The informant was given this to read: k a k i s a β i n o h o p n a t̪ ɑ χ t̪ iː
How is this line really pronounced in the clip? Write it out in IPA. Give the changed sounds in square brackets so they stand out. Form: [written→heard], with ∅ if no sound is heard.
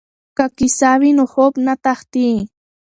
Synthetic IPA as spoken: k a k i s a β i n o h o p n a t̪ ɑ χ t̪ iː

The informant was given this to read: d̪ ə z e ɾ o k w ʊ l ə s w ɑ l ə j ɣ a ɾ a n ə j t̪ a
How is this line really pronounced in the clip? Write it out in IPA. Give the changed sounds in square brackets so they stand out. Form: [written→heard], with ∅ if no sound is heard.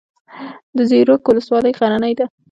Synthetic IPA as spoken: d̪ ə z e ɾ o k w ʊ l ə s w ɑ l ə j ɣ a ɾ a n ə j [t̪→d̪] a

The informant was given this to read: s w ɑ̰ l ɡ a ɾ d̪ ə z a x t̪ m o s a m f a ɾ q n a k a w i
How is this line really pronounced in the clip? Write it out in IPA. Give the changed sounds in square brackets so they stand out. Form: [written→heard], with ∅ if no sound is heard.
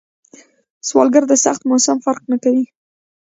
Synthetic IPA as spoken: s w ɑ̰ l ɡ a ɾ d̪ ə [z→s] a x t̪ m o s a m f a ɾ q n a k a w i

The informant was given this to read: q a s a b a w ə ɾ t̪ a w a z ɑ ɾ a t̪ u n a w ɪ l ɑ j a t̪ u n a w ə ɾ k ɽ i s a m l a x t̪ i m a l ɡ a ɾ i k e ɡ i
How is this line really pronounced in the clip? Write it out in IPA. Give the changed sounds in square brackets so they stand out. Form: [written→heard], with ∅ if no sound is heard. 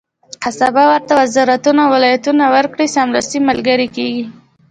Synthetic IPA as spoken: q a s a b a w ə ɾ t̪ a w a z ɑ ɾ a t̪ u n a w ɪ l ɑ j a t̪ u n a w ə ɾ k ɽ i s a m l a [x→s] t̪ i m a l ɡ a ɾ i k e ɡ i

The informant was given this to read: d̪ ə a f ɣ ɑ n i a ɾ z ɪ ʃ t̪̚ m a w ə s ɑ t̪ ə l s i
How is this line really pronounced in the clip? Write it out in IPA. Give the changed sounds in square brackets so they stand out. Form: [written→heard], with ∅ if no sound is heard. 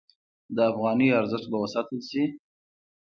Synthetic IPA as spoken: d̪ ə a f ɣ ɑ n i a ɾ z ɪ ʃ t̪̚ [m→b] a w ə s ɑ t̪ ə l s i

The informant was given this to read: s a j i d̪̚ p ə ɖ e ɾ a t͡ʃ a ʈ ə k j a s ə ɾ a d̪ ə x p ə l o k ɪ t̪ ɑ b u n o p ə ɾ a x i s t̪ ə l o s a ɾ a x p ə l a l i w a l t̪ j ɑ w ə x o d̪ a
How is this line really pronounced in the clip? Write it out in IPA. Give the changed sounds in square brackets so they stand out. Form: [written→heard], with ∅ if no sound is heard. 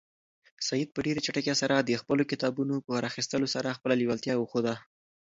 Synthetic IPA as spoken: s a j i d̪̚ p ə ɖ e ɾ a t͡ʃ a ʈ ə k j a s [ə→a] ɾ a d̪ ə x p ə l o k ɪ t̪ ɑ b u n o p ə ɾ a x i s t̪ ə l o s a ɾ a x p ə l a l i w a l t̪ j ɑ w ə x o d̪ a

